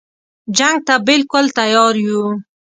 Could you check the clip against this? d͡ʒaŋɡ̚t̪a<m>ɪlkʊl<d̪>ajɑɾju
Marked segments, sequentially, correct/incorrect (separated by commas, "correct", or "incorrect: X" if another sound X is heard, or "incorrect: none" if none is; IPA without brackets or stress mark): incorrect: b, incorrect: t̪